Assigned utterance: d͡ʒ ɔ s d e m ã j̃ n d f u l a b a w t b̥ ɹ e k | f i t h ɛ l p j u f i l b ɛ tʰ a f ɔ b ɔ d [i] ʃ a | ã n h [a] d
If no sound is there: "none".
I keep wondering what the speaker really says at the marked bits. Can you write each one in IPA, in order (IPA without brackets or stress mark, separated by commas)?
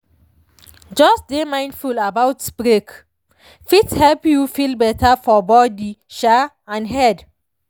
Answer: i, ɛ